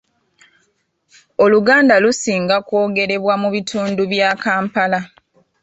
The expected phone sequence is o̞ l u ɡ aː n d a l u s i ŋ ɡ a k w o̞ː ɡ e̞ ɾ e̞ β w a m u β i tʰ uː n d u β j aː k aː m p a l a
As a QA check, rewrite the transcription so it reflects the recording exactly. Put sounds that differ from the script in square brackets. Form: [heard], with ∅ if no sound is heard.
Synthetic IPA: o̞ l u ɡ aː n d a l u s [iː] ŋ ɡ a k w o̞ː ɡ e̞ ɾ e̞ β w a m u β i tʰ uː n d u β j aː k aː m p a l a